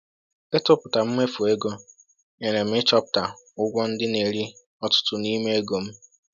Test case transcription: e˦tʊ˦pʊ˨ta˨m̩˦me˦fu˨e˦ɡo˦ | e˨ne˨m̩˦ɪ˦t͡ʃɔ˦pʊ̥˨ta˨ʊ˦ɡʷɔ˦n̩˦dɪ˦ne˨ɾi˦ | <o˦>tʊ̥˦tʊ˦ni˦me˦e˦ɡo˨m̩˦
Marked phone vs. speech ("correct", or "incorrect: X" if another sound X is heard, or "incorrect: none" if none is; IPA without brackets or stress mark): incorrect: ɔ˦